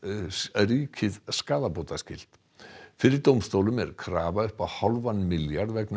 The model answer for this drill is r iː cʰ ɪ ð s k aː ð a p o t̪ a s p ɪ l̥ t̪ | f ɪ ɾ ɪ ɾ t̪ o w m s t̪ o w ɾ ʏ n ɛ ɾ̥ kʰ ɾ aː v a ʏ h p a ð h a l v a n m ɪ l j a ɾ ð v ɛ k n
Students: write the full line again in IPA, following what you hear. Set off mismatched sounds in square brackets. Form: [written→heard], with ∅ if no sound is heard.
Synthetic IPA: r iː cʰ ɪ ð s k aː ð a p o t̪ a s [p→c] ɪ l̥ t̪ | f ɪ ɾ ɪ ɾ t̪ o w m s t̪ o w [ɾ→l] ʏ [n→m] ɛ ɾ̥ kʰ ɾ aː v a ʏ h p a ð h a l v a n m ɪ l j a ɾ ð v ɛ k n